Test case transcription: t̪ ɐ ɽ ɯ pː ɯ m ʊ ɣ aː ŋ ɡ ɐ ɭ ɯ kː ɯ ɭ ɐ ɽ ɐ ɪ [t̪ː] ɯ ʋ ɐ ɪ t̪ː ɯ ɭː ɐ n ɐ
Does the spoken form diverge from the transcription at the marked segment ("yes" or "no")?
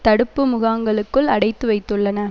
no